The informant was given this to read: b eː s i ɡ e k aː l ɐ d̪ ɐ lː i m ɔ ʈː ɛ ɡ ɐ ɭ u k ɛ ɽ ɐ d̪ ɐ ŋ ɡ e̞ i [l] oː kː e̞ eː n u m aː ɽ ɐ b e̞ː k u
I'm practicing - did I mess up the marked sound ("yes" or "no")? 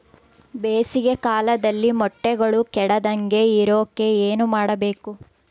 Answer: yes